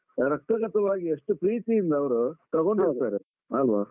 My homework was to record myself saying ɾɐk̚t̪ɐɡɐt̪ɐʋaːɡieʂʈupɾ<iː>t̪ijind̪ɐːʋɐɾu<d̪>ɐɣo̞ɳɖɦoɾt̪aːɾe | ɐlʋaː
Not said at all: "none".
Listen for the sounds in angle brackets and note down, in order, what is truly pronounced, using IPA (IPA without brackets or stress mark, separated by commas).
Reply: iː, t̪